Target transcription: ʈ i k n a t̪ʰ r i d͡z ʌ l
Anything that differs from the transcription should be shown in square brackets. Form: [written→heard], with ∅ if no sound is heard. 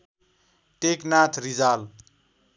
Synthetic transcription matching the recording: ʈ [i→e] k n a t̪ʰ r i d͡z [ʌ→a] l